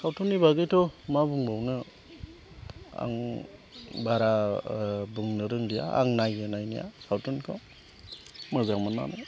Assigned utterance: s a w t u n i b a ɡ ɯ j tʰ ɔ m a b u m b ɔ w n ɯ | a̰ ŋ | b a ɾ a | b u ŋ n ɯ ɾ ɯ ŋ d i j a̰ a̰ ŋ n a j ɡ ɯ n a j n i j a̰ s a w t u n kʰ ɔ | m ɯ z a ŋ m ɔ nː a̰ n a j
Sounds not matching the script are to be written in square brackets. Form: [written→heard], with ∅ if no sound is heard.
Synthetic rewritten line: s a w t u n i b a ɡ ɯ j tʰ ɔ m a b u [m→ŋ] b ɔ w n ɯ | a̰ ŋ | b a ɾ a | b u ŋ n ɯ ɾ ɯ ŋ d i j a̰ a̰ ŋ n a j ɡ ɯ n a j n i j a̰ s a w t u n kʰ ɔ | m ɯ z a ŋ m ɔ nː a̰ n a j